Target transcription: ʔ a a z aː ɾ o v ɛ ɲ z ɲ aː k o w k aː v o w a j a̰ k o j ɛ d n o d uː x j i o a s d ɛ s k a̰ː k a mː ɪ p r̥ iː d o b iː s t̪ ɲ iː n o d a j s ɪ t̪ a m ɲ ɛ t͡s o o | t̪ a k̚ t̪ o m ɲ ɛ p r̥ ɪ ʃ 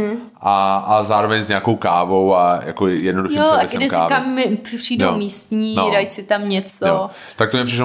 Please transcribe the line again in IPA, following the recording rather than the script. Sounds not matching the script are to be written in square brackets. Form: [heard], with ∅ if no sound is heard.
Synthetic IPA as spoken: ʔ a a z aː ɾ o v ɛ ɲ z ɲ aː k o w k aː v o w a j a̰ k o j ɛ d n o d [u] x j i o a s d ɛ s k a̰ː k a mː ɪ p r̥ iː d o [m] iː s t̪ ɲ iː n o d a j s ɪ t̪ a m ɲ ɛ t͡s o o | t̪ a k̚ t̪ o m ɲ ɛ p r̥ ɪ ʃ